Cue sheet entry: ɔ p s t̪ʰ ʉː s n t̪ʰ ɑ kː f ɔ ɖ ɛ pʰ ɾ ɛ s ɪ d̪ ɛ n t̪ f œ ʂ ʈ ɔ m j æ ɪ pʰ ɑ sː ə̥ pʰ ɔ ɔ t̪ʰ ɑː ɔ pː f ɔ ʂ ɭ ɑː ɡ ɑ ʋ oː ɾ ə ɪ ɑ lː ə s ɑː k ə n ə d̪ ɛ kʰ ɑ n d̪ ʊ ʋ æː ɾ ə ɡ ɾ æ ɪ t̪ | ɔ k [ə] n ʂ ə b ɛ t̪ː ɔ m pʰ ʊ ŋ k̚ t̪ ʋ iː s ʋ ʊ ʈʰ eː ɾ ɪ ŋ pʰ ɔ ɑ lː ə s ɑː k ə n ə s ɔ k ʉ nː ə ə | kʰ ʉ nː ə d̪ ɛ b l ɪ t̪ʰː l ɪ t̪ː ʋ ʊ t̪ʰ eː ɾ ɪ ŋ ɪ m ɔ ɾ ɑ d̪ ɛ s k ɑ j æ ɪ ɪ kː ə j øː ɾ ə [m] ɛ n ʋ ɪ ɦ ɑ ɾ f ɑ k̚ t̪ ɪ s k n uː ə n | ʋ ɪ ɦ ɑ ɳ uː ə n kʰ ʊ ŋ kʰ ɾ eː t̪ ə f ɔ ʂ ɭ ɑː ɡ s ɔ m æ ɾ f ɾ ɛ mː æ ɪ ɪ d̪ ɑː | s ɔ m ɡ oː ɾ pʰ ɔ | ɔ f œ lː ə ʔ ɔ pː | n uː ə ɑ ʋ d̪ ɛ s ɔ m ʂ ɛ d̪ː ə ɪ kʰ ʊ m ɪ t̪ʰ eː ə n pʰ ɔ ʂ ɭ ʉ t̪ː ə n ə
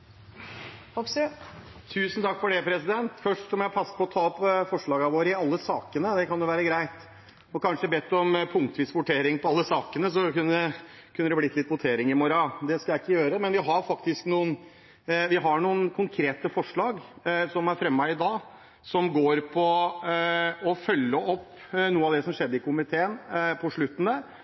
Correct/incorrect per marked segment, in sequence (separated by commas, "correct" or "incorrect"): incorrect, correct